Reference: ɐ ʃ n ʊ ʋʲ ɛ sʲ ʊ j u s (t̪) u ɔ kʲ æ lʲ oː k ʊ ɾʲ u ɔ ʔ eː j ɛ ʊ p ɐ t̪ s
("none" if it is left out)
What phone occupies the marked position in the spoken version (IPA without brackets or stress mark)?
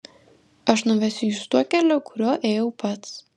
t̪